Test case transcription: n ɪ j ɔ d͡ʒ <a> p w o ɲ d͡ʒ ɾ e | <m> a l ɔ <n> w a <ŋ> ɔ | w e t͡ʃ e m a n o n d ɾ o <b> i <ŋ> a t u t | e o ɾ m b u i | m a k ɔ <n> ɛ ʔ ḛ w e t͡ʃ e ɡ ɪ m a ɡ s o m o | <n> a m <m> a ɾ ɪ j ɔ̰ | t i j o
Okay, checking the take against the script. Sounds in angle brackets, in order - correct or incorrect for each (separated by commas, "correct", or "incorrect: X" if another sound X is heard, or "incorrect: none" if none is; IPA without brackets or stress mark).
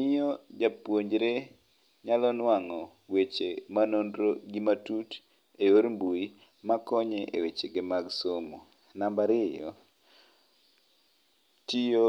correct, incorrect: ɲ, correct, correct, incorrect: ɡ, incorrect: m, incorrect: ɲ, correct, incorrect: b